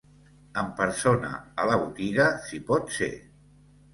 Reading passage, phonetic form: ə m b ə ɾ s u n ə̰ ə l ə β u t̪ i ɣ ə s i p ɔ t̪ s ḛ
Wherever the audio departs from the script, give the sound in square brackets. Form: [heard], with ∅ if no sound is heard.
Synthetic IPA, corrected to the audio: ə m [p] ə ɾ s [o] n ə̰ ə l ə β u t̪ i ɣ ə s i p ɔ t̪ s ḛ